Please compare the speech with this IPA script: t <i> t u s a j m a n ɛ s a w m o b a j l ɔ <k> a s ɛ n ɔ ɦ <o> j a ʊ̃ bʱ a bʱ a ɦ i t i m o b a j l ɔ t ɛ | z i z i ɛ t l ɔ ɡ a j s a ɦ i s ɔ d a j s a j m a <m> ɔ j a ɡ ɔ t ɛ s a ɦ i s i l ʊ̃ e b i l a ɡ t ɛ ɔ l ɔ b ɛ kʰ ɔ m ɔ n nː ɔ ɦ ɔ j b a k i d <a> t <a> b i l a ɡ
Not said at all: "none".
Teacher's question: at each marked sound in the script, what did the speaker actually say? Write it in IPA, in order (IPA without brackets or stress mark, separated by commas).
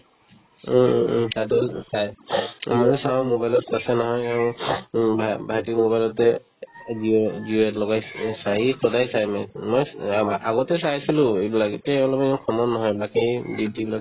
a, t, ɔ, m, i, i